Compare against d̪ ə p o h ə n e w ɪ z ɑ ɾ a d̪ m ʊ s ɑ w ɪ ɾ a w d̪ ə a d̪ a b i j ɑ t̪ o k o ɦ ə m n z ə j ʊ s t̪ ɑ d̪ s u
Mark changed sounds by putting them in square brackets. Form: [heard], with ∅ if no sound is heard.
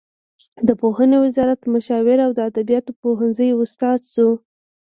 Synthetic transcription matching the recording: d̪ ə p o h ə n e w ɪ z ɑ ɾ a [t̪] m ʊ [ʃ] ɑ w ɪ ɾ a w d̪ ə a d̪ a b i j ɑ t̪ o [p] o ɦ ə [∅] n z ə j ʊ s t̪ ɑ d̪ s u